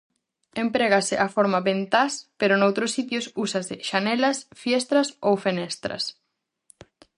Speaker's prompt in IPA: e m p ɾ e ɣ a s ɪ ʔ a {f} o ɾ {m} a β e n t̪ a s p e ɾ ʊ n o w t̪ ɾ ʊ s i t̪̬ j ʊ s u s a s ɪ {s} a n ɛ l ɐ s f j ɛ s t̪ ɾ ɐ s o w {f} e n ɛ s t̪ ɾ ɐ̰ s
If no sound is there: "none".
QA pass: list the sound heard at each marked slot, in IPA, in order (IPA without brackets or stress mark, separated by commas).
f, m, ʃ, f